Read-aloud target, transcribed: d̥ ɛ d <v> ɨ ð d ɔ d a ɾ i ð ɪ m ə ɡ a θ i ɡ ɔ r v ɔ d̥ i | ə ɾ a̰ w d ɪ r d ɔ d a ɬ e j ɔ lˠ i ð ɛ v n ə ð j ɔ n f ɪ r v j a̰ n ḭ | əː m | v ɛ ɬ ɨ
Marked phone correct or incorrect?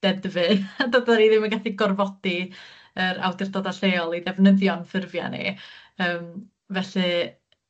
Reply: correct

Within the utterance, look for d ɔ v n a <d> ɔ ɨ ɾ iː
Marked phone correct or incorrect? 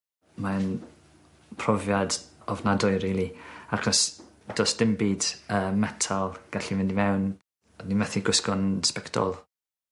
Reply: correct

